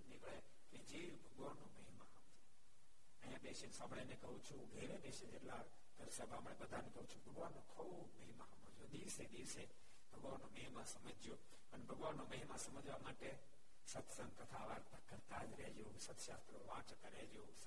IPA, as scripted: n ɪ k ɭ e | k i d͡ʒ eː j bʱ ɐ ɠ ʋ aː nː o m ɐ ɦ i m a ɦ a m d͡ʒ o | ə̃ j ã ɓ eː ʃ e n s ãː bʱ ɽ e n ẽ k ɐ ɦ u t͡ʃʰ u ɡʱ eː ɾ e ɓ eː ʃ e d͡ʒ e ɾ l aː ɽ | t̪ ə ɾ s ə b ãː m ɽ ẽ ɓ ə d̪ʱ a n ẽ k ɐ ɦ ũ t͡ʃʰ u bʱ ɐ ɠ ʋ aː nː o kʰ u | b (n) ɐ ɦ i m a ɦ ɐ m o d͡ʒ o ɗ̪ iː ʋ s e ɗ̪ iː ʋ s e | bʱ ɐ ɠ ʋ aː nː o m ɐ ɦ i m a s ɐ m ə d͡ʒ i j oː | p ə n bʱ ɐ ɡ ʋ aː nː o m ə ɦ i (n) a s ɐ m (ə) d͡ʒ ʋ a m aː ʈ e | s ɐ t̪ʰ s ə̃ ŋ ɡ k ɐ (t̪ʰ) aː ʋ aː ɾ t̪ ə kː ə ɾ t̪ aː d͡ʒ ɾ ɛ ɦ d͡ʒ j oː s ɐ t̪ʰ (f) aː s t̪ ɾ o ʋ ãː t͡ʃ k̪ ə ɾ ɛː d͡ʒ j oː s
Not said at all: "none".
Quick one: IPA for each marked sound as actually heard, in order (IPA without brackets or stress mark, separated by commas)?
m, m, ə, t̪ʰ, ʃ